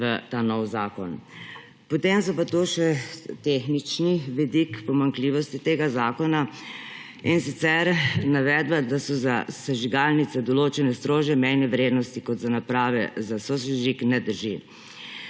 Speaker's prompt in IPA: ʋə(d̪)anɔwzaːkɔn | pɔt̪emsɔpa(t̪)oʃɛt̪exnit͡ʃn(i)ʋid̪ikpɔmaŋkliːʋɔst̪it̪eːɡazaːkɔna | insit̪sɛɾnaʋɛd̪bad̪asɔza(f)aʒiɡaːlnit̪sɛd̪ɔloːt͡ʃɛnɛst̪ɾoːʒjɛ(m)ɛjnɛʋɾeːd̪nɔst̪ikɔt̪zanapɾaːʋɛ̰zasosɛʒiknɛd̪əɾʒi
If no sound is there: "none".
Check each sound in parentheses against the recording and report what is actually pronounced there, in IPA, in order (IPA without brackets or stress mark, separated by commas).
t̪, t̪, i, s, m